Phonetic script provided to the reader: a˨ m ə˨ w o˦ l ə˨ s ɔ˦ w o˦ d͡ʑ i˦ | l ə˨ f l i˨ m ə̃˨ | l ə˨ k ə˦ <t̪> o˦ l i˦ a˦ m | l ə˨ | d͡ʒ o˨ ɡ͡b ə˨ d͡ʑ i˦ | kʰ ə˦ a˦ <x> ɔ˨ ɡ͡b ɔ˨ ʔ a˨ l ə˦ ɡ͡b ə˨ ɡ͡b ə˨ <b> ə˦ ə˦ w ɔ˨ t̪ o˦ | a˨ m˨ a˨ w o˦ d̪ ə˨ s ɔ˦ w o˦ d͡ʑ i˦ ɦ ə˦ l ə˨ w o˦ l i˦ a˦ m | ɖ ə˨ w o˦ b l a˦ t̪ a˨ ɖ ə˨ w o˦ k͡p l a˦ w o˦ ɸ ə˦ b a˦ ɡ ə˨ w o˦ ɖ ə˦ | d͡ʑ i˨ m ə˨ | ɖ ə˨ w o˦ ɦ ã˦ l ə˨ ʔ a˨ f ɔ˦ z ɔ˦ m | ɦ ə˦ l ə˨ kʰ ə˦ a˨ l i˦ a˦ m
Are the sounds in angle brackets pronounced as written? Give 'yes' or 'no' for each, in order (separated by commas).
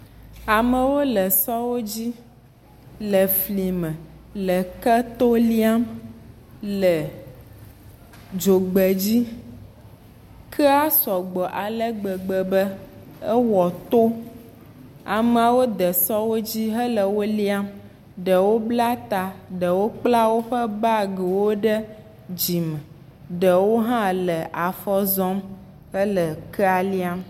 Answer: yes, no, yes